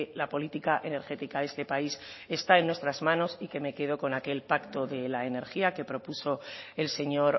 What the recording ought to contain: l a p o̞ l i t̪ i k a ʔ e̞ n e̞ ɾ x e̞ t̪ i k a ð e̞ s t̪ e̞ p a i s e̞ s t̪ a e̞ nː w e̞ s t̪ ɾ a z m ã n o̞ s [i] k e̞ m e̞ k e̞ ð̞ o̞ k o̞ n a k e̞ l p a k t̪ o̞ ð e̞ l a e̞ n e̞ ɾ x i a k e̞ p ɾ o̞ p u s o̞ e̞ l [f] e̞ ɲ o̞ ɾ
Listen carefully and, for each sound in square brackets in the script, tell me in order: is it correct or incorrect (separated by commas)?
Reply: correct, incorrect